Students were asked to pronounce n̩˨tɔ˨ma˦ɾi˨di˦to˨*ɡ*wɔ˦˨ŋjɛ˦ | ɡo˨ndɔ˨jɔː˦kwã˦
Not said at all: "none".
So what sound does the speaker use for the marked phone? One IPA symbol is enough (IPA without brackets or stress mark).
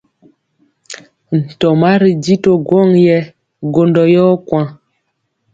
ɡ